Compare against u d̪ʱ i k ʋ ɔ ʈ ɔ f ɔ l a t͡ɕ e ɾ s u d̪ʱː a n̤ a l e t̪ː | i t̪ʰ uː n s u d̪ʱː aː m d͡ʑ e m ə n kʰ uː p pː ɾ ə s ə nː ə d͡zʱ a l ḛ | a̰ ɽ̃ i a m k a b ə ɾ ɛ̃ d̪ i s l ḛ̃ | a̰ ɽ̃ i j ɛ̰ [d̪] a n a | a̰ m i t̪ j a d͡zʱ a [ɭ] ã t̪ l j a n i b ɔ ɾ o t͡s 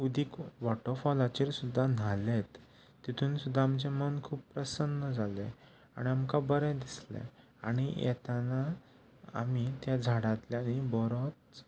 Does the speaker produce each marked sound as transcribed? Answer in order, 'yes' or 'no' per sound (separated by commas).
no, no